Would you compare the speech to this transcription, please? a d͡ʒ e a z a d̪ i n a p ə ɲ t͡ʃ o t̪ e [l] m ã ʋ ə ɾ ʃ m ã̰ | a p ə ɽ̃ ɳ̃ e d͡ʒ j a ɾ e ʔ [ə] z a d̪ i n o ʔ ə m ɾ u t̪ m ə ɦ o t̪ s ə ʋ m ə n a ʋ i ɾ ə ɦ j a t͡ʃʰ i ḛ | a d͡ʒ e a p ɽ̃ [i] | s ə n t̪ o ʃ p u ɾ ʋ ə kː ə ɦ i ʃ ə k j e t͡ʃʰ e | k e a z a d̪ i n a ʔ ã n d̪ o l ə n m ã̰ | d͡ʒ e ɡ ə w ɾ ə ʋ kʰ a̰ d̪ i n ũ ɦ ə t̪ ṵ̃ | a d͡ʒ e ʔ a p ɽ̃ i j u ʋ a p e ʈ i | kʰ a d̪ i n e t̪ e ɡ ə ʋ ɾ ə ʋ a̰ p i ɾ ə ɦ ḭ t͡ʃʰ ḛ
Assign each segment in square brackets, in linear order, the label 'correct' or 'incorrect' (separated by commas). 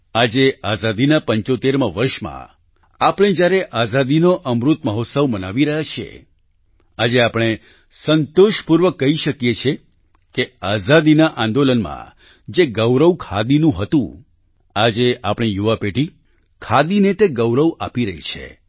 incorrect, incorrect, incorrect